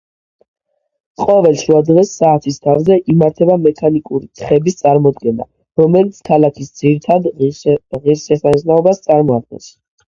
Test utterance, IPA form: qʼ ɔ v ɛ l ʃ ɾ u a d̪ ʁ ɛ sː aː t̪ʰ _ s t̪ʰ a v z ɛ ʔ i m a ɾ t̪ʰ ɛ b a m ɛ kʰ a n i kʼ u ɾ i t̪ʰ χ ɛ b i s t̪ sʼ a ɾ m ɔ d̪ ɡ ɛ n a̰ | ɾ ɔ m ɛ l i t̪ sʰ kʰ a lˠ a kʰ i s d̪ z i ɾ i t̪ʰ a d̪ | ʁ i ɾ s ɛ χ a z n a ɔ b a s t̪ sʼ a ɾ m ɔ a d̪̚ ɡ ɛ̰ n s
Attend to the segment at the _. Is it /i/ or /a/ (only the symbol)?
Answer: i